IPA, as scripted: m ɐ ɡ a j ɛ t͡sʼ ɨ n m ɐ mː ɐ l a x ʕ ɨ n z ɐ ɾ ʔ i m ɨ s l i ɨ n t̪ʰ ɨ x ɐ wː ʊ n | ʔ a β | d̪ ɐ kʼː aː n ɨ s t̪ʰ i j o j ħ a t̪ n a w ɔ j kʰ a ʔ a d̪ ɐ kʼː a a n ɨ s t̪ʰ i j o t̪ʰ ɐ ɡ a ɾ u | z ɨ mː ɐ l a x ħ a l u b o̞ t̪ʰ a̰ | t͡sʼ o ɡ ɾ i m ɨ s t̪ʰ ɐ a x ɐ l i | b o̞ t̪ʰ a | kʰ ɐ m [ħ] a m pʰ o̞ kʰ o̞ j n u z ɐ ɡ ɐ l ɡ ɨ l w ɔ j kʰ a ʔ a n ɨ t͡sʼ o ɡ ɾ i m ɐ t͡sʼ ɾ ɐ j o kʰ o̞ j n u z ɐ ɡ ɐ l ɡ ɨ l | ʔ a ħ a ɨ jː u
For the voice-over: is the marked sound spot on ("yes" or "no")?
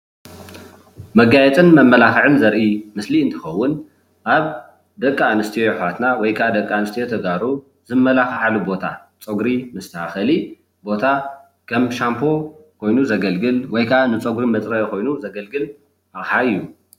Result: no